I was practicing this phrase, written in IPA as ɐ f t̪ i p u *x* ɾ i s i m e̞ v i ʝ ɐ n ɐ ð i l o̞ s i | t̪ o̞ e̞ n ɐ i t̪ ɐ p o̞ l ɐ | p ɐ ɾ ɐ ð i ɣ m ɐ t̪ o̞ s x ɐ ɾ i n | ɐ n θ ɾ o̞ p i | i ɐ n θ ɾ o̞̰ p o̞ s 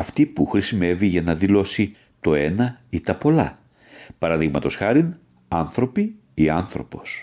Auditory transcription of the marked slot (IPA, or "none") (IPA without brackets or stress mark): x